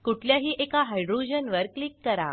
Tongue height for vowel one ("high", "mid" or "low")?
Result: high